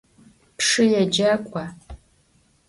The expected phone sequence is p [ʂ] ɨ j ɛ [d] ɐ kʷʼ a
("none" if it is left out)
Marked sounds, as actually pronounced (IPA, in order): ʂ, d͡ʒ

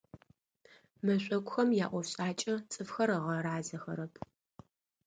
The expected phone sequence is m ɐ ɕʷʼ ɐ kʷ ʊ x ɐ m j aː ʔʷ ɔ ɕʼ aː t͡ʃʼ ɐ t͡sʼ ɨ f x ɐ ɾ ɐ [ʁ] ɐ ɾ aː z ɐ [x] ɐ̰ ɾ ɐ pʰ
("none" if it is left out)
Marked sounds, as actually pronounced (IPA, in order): ʁ, x

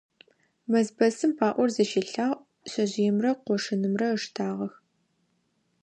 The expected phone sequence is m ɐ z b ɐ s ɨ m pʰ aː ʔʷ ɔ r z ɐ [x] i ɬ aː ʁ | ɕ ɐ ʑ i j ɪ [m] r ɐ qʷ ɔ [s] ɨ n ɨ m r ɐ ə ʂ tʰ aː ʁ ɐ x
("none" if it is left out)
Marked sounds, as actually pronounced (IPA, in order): ʃ, m, ʂ

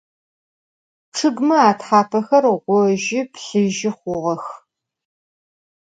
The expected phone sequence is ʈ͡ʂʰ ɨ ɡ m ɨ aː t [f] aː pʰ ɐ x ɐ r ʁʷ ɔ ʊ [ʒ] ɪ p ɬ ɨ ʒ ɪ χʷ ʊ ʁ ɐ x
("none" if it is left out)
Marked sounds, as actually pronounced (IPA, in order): ħ, ʒ

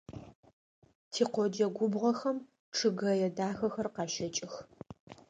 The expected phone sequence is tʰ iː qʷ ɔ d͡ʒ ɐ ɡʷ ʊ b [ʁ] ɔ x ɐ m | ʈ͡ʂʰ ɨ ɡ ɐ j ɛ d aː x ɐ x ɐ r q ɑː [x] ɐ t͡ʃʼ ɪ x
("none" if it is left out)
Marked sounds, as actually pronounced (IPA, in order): ʁ, ʃ

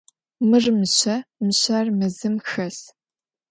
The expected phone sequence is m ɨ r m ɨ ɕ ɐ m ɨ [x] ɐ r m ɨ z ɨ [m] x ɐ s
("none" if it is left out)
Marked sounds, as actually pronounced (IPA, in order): ɕ, m

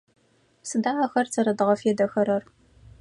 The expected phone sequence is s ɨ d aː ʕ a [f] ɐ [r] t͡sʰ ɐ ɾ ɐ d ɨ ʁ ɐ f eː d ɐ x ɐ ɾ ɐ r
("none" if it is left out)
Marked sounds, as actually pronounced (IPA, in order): x, r

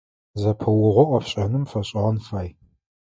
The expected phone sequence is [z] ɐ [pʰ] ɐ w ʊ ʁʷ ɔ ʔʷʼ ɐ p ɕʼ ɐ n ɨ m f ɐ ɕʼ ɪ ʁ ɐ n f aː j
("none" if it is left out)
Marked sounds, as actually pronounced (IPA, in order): z, pʰ

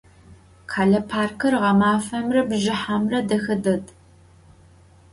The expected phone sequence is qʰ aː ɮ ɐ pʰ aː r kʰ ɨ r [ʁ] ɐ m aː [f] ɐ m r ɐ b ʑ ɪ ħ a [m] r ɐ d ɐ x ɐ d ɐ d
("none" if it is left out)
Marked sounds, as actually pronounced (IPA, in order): ʁ, f, m

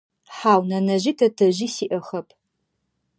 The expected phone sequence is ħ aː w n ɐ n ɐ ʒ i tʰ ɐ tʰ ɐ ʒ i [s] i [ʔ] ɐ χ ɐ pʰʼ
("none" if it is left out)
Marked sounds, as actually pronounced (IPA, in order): s, ʔ

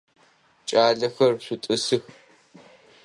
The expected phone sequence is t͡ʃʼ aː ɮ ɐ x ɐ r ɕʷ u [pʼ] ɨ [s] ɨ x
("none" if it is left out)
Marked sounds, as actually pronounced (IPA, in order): tʼ, s

